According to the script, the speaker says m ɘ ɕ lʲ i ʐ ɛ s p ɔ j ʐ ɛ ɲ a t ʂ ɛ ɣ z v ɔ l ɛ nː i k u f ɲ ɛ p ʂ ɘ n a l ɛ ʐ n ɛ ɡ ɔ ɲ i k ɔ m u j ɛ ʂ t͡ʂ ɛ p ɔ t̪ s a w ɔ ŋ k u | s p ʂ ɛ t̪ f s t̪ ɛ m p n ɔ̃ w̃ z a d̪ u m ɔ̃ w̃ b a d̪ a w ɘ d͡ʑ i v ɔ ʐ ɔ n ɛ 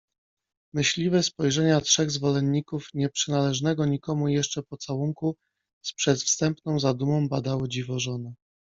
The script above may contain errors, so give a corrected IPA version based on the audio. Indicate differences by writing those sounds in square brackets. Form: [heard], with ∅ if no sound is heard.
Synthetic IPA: m ɘ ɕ lʲ i [v] ɛ s p ɔ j ʐ ɛ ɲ a t ʂ ɛ ɣ z v ɔ l ɛ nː i k u f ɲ ɛ p ʂ ɘ n a l ɛ ʐ n ɛ ɡ ɔ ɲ i k ɔ m u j ɛ ʂ t͡ʂ ɛ p ɔ t̪ s a w [u] ŋ k u | s p ʂ ɛ t̪ f s t̪ ɛ m p n ɔ̃ w̃ z a d̪ u m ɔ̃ w̃ b a d̪ a w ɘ d͡ʑ i v ɔ ʐ ɔ n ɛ